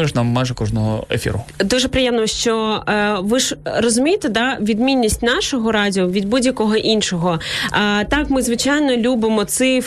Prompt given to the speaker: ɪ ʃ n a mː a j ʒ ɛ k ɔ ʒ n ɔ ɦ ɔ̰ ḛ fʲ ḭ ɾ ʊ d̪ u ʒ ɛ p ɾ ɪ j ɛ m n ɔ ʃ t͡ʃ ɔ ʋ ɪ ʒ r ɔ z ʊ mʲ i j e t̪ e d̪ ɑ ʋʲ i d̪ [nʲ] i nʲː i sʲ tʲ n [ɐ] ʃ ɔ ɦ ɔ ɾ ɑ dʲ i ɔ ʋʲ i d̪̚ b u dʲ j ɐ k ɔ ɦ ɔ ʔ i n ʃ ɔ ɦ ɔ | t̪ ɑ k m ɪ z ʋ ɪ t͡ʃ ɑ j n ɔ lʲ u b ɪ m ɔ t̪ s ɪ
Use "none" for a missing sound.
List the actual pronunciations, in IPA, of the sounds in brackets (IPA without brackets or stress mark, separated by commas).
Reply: mʲ, ɑ